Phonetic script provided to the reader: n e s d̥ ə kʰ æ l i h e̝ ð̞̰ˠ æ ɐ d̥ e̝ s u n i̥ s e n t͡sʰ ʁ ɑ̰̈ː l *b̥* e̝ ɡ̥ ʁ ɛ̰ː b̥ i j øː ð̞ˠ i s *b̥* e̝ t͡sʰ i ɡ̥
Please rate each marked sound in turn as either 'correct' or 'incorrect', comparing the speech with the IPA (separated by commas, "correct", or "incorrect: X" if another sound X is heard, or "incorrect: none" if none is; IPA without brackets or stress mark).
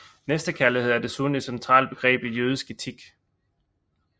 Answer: correct, incorrect: ɡ̥